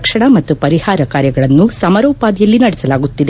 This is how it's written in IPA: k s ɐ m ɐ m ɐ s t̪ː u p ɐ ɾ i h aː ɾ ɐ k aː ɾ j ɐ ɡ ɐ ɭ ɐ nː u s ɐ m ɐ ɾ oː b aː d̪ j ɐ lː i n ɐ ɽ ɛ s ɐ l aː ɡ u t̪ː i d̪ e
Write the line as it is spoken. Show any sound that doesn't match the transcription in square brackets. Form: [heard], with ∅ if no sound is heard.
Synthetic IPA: k [ʂ] ɐ [ɳ] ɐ m ɐ [∅] t̪ː u p ɐ ɾ i h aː ɾ ɐ k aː ɾ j ɐ ɡ ɐ ɭ ɐ nː u s ɐ m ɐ ɾ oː [p] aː d̪ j ɐ lː i n ɐ ɽ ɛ s ɐ l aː ɡ u t̪ː i d̪ e